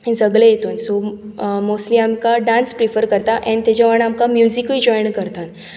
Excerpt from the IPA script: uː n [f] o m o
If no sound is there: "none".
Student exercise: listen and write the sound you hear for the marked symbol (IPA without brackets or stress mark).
s